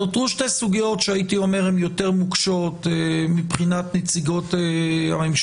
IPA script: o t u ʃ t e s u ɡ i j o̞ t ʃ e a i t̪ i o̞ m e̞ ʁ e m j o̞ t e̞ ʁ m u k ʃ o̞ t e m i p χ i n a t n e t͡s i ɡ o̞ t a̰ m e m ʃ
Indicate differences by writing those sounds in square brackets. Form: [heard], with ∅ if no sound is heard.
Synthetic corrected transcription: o t u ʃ t e s u ɡ i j o̞ t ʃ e a i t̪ i o̞ m e̞ ʁ e m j o̞ t e̞ ʁ m u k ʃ o̞ t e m i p χ i n a t n e t͡s i ɡ o̞ t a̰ m e m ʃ